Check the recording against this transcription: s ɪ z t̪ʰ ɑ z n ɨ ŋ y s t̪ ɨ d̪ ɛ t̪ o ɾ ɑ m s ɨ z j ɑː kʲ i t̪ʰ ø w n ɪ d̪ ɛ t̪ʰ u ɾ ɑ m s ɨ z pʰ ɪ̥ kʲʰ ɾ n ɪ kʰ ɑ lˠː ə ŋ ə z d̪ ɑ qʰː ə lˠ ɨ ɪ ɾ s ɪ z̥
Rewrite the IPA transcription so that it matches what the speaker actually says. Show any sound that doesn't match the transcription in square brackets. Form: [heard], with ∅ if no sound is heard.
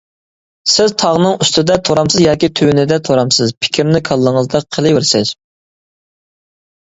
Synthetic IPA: s ɪ z t̪ʰ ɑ [ʁ] n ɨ ŋ y s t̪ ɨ d̪ ɛ [t̪ʰ] o ɾ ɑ m s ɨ z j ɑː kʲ i t̪ʰ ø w n ɪ d̪ ɛ t̪ʰ [o] ɾ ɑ m s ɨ z pʰ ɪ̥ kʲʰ ɾ n ɪ kʰ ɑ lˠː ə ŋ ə z d̪ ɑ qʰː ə lˠ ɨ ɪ ɾ s ɪ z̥